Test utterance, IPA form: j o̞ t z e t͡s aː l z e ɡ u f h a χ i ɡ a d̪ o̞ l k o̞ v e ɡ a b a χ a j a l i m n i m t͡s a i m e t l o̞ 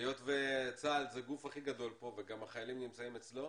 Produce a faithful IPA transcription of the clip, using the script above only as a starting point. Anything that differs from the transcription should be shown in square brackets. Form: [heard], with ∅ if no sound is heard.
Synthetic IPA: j o̞ t [v] e t͡s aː l z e ɡ u f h a χ i ɡ a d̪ o̞ l [p] o̞ v e ɡ a [m] a χ a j a l i m n i m t͡s a i m e [t͡s] l o̞